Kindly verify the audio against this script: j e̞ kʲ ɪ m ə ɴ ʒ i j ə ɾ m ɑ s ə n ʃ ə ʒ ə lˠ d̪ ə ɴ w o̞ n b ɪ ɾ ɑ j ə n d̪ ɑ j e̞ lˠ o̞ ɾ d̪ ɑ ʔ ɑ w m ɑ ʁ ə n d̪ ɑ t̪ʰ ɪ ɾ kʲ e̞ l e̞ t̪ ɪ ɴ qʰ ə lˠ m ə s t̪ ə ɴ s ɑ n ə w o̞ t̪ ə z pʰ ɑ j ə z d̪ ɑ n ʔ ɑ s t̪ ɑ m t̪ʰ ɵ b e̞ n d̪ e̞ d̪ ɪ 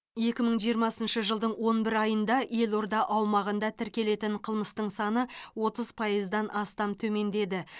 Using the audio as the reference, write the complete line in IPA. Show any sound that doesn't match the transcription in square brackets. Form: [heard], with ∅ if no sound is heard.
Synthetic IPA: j e̞ kʲ ɪ m ə ɴ ʒ i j ə ɾ m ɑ s ə n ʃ ə ʒ ə lˠ d̪ ə ɴ w o̞ n b ɪ ɾ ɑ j ə n d̪ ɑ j e̞ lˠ o̞ ɾ d̪ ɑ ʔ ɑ w m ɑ ʁ ə n d̪ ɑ t̪ʰ ɪ ɾ kʲ e̞ l e̞ t̪ ɪ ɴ qʰ ə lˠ m ə s t̪ ə ɴ s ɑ n ə w o̞ t̪ ə z pʰ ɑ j ə z d̪ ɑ n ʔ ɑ s t̪ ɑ m t̪ʰ ɵ [m] e̞ n d̪ e̞ d̪ ɪ

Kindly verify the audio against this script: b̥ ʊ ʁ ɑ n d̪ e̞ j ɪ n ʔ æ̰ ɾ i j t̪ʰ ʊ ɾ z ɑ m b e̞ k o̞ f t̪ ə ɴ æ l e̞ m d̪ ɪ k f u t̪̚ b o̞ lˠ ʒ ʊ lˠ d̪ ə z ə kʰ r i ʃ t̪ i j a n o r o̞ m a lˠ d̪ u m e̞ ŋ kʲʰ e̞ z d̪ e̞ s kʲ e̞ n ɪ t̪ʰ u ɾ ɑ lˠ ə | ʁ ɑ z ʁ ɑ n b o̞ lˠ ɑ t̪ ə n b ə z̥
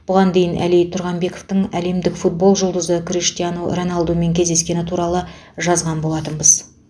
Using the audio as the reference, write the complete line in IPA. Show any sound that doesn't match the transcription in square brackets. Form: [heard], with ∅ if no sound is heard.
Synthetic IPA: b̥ ʊ ʁ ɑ n d̪ e̞ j ɪ n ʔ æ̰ [l] i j t̪ʰ ʊ ɾ [ʁ] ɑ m b e̞ k o̞ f t̪ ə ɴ æ l e̞ m d̪ ɪ k f u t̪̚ b o̞ lˠ ʒ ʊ lˠ d̪ ə z ə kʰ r i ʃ t̪ i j a n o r o̞ [n] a lˠ d̪ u m e̞ ŋ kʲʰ e̞ z d̪ e̞ s kʲ e̞ n ɪ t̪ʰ u ɾ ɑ lˠ ə | [ʒ] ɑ z ʁ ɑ n b o̞ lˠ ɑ t̪ ə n b ə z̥

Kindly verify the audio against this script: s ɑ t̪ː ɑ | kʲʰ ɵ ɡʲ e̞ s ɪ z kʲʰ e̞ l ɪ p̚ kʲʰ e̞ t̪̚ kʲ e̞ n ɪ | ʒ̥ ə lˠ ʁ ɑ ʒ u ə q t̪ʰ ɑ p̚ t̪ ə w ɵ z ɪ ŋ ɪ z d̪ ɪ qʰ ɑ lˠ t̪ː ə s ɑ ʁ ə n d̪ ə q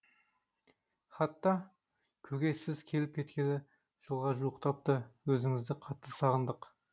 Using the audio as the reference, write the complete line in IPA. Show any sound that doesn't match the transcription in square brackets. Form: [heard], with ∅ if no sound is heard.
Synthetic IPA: [χ] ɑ t̪ː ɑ | kʲʰ ɵ ɡʲ e̞ s ɪ z kʲʰ e̞ l ɪ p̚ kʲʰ e̞ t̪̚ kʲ e̞ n ɪ | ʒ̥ ə lˠ ʁ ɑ ʒ u ə q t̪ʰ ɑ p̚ t̪ ə w ɵ z ɪ ŋ ɪ z d̪ ɪ qʰ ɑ [∅] t̪ː ə s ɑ ʁ ə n d̪ ə q

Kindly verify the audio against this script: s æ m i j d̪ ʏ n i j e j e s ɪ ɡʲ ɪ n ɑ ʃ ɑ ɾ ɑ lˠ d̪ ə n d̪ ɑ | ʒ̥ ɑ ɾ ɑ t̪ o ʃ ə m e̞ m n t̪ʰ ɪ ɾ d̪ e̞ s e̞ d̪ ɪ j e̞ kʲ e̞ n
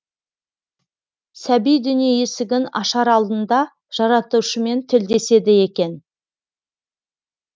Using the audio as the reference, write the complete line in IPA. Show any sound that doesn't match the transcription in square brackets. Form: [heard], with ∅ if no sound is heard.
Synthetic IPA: s æ [b] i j d̪ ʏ n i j e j e s ɪ ɡʲ ɪ n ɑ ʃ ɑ ɾ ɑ lˠ d̪ ə n d̪ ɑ | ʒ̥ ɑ ɾ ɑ t̪ [u] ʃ ə m e̞ [∅] n t̪ʰ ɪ [l] d̪ e̞ s e̞ d̪ ɪ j e̞ kʲ e̞ n

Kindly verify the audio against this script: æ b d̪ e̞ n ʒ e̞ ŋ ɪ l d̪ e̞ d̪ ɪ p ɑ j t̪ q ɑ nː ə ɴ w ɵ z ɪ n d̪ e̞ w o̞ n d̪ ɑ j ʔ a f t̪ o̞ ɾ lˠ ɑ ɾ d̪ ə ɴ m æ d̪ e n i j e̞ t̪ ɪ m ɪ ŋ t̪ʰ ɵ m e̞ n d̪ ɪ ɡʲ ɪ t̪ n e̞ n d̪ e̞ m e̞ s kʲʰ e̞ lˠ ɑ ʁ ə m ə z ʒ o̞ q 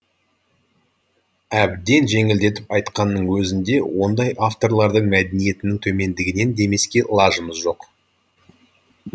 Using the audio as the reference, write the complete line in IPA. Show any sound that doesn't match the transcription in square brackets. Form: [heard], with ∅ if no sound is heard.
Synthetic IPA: æ b d̪ e̞ n ʒ e̞ ŋ ɪ l d̪ e̞ [t̪] ɪ p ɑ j t̪ q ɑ nː ə ɴ w ɵ z ɪ n d̪ e̞ w o̞ n d̪ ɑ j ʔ a f t̪ o̞ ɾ lˠ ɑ ɾ d̪ ə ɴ m æ d̪ e n i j e̞ t̪ ɪ [n] ɪ ŋ t̪ʰ ɵ m e̞ n d̪ ɪ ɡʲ ɪ [∅] n e̞ n d̪ e̞ m e̞ s [kʲ] e̞ lˠ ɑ [ʒ] ə m ə z ʒ o̞ q

